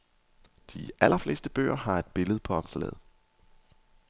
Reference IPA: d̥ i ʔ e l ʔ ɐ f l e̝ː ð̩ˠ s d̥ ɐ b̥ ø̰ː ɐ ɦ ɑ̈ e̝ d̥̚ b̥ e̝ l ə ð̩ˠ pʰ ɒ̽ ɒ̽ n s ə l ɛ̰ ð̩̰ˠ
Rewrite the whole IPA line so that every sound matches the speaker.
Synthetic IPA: d̥ i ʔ æ l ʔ ɐ f l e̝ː s d̥ ə b̥ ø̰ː ɐ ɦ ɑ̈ e̝ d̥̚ b̥ e̝ l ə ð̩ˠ pʰ ɒ̽ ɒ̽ m s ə l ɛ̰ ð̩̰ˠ